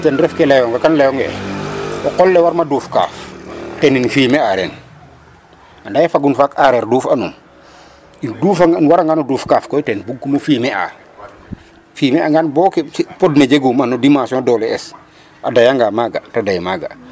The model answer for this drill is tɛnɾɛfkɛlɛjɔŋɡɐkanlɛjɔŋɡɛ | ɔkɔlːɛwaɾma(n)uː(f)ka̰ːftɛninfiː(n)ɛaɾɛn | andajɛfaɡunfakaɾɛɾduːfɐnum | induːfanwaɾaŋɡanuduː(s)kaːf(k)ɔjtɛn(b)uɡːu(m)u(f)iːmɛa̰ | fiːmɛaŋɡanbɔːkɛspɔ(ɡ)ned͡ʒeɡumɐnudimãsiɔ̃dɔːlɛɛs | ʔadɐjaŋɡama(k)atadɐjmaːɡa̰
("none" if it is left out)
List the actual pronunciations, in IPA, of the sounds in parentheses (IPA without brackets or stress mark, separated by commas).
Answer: d, f, m, f, k, b, m, f, d, ɡ